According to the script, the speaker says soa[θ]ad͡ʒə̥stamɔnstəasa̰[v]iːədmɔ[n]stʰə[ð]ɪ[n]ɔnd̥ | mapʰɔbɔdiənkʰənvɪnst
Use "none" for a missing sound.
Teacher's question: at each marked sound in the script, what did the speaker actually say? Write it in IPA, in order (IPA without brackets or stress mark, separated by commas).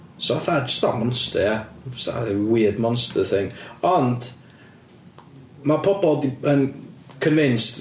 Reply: θ, w, n, θ, ŋ